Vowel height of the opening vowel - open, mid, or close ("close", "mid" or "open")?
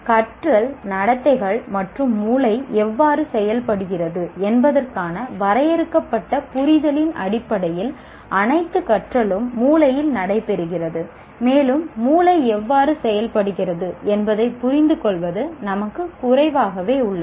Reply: open